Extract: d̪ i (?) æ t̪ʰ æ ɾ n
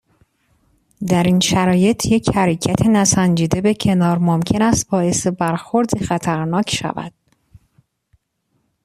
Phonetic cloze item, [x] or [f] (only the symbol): x